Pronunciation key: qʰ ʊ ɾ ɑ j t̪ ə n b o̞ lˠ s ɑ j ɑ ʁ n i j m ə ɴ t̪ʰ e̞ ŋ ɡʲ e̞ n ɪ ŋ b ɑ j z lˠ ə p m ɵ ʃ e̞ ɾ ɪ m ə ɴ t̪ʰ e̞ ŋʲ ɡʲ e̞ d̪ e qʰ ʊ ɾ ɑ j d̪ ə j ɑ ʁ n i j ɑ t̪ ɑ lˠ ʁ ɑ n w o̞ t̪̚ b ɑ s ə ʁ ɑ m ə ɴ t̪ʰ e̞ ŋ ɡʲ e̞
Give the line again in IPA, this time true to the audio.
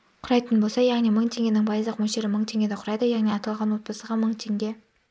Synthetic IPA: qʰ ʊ ɾ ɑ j t̪ ə n b o̞ lˠ s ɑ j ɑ ʁ n i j m ə ɴ t̪ʰ e̞ ŋ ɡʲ e̞ n ɪ ŋ b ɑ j z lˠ ə q m ɵ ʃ e̞ ɾ ɪ m ə ɴ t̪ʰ e̞ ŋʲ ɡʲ e̞ d̪ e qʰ ʊ ɾ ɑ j d̪ ə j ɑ ʁ n i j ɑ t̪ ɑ lˠ ʁ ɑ n w o̞ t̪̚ b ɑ s ə ʁ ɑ m ə ɴ t̪ʰ e̞ ŋ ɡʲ e̞

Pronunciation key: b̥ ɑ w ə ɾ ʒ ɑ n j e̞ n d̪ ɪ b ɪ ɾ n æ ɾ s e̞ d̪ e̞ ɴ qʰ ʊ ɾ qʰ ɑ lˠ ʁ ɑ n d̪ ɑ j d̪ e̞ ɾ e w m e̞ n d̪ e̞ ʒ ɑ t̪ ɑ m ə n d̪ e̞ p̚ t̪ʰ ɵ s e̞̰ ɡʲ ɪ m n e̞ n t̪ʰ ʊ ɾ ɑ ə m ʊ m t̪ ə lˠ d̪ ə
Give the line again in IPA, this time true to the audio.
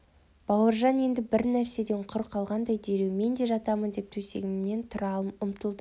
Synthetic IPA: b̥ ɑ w ə ɾ ʒ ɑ n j e̞ n d̪ ɪ b ɪ ɾ n æ ɾ s e̞ d̪ e̞ ɴ qʰ ʊ ɾ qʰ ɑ lˠ ʁ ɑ n d̪ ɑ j d̪ e̞ ɾ e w m e̞ n d̪ e̞ ʒ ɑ t̪ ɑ m ə n d̪ e̞ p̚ t̪ʰ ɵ s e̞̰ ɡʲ ɪ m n e̞ n t̪ʰ ʊ ɾ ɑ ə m ʊ m t̪ ə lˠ d̪ ə

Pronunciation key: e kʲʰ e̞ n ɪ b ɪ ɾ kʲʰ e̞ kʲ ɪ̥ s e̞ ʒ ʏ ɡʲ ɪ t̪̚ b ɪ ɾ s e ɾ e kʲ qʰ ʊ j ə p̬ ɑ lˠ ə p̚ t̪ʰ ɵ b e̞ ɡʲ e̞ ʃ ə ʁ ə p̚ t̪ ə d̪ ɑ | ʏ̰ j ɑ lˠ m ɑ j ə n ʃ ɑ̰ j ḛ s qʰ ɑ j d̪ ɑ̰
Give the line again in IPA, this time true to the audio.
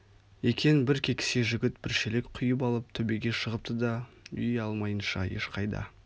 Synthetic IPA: e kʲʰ e̞ n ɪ b ɪ ɾ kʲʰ e̞ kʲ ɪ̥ s e̞ ʒ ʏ ɡʲ ɪ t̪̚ b ɪ ɾ ʃ e l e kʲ qʰ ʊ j ə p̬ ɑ lˠ ə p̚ t̪ʰ ɵ b e̞ ɡʲ e̞ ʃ ə ʁ ə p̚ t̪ ə d̪ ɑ | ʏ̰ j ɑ lˠ m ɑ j ə n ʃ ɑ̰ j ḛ ʃ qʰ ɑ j d̪ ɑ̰

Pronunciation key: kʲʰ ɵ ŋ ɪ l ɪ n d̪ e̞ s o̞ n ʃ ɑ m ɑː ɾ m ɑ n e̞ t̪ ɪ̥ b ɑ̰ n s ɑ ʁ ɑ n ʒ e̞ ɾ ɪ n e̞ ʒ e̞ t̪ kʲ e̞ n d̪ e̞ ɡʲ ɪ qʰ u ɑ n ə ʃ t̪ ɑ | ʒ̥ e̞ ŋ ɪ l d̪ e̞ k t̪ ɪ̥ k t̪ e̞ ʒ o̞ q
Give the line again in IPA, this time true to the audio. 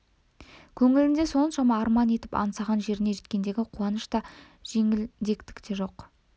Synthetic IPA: kʲʰ ɵ ŋ ɪ l ɪ n d̪ e̞ s o̞ n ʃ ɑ m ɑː ɾ m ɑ n e̞ t̪ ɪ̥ p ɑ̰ n s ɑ ʁ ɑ n ʒ e̞ ɾ ɪ n e̞ ʒ e̞ t̪ kʲ e̞ n d̪ e̞ ɡʲ ɪ qʰ u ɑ n ə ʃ t̪ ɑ | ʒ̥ e̞ ŋ ɪ l d̪ e̞ k t̪ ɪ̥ k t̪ e̞ ʒ o̞ q

